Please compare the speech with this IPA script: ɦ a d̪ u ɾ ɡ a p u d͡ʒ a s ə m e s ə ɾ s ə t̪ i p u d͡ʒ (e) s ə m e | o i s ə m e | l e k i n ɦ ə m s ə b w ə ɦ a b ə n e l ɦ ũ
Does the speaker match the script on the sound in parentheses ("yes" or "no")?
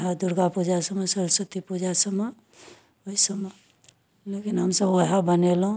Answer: no